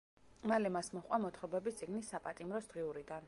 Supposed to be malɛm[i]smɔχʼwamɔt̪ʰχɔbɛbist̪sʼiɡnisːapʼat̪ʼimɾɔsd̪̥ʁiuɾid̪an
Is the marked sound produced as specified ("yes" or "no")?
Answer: no